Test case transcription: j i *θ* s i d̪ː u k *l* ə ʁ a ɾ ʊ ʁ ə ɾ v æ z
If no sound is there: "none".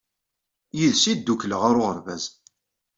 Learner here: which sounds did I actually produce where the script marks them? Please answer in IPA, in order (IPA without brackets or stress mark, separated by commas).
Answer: ð, l